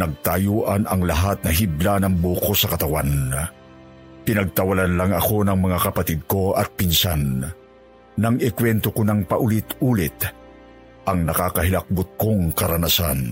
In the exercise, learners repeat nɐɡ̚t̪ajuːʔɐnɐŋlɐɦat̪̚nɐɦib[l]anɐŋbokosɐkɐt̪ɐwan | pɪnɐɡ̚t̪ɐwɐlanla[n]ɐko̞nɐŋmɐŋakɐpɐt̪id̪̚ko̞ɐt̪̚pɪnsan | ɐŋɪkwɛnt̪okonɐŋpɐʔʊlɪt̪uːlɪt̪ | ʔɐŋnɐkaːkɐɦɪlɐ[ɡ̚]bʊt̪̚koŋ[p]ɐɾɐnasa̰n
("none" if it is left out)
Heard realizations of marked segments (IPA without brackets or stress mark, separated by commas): l, ŋ, k̚, k